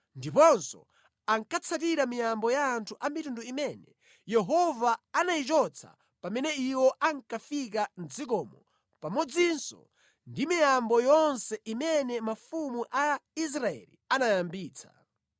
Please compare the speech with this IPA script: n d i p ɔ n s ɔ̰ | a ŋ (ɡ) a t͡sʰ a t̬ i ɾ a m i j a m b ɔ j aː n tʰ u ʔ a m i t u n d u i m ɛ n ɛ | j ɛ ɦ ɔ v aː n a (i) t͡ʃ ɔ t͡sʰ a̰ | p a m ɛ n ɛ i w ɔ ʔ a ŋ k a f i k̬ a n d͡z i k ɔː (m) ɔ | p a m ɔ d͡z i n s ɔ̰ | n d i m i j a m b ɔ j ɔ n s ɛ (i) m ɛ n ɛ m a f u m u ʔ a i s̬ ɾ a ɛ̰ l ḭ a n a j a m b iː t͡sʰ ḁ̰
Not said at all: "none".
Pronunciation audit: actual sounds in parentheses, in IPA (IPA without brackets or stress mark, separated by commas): k, i, m, i